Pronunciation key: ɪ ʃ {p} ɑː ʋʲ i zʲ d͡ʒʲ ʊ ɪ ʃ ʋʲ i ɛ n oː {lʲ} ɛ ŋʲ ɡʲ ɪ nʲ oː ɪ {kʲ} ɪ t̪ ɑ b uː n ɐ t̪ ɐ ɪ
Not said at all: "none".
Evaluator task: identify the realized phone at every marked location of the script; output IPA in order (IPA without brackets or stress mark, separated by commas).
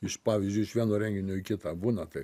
p, ɾʲ, kʲ